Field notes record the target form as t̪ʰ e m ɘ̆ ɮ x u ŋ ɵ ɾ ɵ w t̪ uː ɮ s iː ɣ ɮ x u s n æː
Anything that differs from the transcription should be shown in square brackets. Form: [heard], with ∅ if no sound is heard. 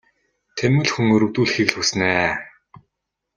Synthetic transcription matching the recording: t̪ʰ e m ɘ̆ ɮ x u ŋ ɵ ɾ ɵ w t̪ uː ɮ [x] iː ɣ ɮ x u s n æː